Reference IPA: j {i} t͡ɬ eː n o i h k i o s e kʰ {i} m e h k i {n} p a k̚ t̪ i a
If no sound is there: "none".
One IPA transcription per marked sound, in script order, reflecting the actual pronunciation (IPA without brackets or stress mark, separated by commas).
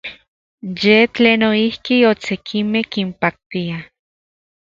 e, i, m